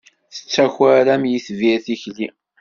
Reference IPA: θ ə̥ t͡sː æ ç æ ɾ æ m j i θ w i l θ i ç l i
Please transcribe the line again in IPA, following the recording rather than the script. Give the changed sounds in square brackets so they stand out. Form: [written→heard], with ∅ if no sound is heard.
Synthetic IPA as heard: θ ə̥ t͡sː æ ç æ ɾ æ m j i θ [w→v] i [l→∅] θ i ç l i